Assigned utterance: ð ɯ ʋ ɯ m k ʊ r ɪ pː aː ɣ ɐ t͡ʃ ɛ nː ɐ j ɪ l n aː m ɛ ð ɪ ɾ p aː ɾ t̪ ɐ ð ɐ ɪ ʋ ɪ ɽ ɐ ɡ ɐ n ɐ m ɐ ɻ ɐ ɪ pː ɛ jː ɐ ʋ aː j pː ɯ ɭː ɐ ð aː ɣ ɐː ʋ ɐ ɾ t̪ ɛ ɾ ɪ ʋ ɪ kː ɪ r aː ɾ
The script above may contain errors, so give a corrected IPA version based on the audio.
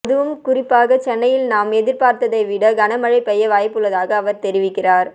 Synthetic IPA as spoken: ð ɯ ʋ ɯ m k ʊ r ɪ pː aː ɣ ɐ t͡ʃ ɛ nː ɐ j ɪ l n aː m ɛ ð ɪ ɾ p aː ɾ t̪ ɐ ð ɐ ɪ ʋ ɪ ɽ ɐ ɡ ɐ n ɐ m ɐ ɻ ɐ ɪ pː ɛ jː ɐ ʋ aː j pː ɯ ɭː ɐ ð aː ɣ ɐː ʋ ɐ ɾ t̪ ɛ ɾ ɪ ʋ ɪ kː ɪ r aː ɾ

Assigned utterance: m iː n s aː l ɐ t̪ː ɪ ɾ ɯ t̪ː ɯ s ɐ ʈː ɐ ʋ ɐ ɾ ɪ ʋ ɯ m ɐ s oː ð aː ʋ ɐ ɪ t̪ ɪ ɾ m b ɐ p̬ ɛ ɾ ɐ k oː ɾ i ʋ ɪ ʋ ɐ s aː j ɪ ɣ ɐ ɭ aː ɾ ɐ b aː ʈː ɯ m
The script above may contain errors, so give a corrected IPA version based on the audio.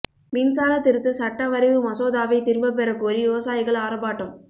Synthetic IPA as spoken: m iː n s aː l ɐ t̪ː ɪ ɾ ɯ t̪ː ɯ s ɐ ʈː ɐ ʋ ɐ ɾ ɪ ʋ ɯ m ɐ s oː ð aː ʋ ɐ ɪ t̪ ɪ ɾ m b ɐ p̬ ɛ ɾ ɐ k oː ɾ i ʋ ɪ ʋ ɐ s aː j ɪ ɣ ɐ ɭ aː ɾ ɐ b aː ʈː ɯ m

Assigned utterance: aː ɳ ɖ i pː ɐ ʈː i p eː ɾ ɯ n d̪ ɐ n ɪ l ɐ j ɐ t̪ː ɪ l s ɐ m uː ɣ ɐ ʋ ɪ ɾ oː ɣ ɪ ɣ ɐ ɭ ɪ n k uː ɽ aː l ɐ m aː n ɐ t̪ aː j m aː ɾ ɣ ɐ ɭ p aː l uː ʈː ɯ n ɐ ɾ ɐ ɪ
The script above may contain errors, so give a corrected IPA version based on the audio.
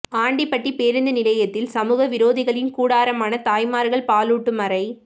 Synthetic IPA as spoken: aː ɳ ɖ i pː ɐ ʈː i p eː ɾ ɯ n d̪ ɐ n ɪ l ɐ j ɐ t̪ː ɪ l s ɐ m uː ɣ ɐ ʋ ɪ ɾ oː ð ɪ ɣ ɐ ɭ ɪ n k uː ɽ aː ɾ ɐ m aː n ɐ t̪ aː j m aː ɾ ɣ ɐ ɭ p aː l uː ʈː ɯ m ɐ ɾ ɐ ɪ

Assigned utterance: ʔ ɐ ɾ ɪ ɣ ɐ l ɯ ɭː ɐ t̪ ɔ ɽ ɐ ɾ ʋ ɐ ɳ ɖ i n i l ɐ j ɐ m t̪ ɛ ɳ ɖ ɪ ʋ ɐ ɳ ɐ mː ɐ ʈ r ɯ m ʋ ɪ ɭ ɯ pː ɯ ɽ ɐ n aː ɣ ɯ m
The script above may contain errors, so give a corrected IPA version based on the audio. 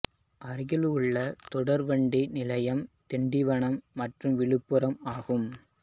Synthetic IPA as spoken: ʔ ɐ ɾ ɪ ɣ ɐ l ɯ ɭː ɐ t̪ ɔ ɽ ɐ ɾ ʋ ɐ ɳ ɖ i n ɪ l ɐ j ɐ m t̪ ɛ ɳ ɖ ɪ ʋ ɐ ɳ ɐ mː ɐ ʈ r ɯ m ʋ ɪ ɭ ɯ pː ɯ ɾ ɐ m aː ɣ ɯ m

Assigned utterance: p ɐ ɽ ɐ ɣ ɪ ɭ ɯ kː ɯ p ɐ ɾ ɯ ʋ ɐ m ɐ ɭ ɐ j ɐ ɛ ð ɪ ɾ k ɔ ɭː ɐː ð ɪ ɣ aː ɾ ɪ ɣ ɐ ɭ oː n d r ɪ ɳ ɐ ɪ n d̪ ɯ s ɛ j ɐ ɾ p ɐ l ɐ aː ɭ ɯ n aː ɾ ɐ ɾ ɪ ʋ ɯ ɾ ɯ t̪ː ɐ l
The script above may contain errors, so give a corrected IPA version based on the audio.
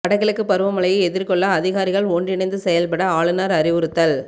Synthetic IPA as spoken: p ɐ ɽ ɐ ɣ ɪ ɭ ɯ kː ɯ p ɐ ɾ ɯ ʋ ɐ m ɐ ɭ ɐ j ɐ ɛ ð ɪ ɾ k ɔ ɭː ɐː ð ɪ ɣ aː ɾ ɪ ɣ ɐ ɭ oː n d r ɪ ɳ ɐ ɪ n d̪ ɯ s ɛ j ɐ l p ɐ ɽ ɐ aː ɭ ɯ n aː ɾ ɐ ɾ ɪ ʋ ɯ ɾ ɯ t̪ː ɐ l

